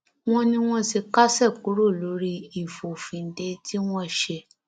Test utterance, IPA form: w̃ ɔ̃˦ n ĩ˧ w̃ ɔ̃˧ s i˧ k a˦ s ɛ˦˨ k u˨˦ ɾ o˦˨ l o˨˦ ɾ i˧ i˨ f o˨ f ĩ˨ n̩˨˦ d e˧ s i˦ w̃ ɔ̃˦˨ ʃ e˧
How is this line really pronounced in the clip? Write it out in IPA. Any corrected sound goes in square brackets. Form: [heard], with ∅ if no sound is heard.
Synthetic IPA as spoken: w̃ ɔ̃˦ n ĩ˧ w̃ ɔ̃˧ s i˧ k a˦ s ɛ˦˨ k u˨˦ ɾ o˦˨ l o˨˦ ɾ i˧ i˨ f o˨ f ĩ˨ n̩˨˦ d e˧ [t] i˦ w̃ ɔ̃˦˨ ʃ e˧